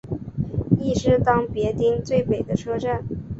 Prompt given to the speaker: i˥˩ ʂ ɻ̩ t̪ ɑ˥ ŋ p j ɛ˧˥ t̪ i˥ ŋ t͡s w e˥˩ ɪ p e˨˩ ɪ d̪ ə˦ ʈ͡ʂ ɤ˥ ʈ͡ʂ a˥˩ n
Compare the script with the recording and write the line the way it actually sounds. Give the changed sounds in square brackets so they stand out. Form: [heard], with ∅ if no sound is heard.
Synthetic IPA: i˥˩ ʂ ɻ̩ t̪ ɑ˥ ŋ p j ɛ˧˥ t̪ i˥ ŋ t͡s w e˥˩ ɪ p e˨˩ ɪ d̪ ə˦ [ʈ͡ʂʰ] ɤ˥ ʈ͡ʂ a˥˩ n

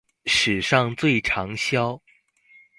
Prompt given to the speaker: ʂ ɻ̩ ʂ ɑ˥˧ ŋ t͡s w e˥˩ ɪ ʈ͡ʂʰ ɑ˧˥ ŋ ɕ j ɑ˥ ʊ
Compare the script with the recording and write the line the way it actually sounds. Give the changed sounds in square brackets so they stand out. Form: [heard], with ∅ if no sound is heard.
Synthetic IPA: ʂ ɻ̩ ʂ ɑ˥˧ ŋ t͡s w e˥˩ ɪ ʈ͡ʂʰ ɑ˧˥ ŋ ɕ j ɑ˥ ʊ

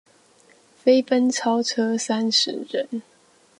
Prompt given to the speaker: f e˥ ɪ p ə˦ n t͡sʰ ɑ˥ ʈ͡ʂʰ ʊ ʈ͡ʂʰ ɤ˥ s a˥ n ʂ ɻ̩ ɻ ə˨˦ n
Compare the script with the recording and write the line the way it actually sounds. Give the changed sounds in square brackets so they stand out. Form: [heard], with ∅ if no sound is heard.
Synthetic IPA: f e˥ ɪ p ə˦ n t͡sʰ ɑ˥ [∅] ʊ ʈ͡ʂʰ ɤ˥ s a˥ n ʂ ɻ̩ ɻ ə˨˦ n

